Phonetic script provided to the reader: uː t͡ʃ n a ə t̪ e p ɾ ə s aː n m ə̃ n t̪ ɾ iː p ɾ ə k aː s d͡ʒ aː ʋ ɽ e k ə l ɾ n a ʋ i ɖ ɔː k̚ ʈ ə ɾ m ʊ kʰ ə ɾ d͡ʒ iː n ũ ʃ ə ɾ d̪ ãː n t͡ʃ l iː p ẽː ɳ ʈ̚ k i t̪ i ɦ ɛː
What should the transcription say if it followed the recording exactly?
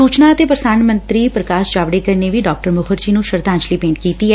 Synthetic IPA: uː t͡ʃ n a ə t̪ e p ɾ ə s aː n m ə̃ n t̪ ɾ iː p ɾ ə k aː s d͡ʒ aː ʋ ɽ e k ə ɾ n e ʋ i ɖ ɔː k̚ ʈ ə ɾ m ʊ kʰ ə ɾ d͡ʒ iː n ũ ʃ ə ɾ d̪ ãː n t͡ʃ l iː p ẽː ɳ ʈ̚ k iː t̪ i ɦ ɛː